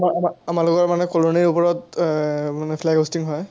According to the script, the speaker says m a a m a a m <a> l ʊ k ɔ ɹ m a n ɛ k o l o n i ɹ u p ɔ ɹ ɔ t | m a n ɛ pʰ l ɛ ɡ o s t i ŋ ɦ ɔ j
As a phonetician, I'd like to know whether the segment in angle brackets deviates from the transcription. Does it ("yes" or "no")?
no